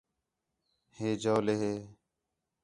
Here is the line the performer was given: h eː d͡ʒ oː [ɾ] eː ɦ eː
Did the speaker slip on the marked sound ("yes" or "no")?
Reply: yes